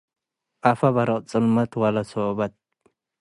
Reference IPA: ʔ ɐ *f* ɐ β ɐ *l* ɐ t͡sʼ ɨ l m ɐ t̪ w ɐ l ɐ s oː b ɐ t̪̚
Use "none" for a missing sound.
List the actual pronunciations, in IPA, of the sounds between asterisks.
f, ɾ

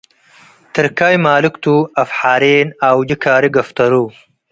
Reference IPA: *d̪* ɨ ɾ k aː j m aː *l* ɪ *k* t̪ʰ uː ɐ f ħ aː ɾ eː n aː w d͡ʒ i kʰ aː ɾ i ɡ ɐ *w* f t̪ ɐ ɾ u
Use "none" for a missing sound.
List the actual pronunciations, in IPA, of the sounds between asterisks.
t̪, l, k, none

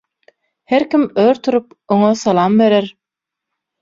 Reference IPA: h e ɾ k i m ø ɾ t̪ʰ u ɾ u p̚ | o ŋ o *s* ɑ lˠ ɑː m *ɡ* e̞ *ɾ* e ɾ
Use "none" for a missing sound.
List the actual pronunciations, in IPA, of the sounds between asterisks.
s, b, ɾ

